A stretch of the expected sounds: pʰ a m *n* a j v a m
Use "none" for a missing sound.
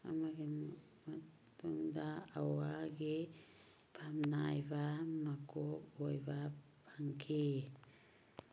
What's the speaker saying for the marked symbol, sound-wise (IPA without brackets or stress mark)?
n